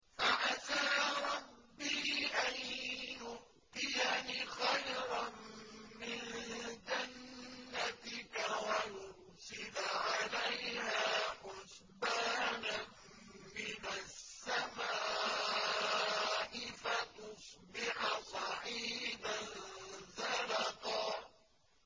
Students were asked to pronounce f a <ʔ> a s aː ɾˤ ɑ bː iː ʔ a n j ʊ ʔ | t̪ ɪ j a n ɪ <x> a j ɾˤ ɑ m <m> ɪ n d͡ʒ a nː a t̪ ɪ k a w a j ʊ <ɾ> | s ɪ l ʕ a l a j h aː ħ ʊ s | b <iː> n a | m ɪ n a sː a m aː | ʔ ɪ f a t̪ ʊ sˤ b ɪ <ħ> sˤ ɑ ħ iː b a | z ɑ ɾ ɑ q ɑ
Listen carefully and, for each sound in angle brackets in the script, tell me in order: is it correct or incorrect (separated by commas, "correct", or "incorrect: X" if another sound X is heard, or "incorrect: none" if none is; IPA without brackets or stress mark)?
correct, correct, correct, correct, incorrect: aː, correct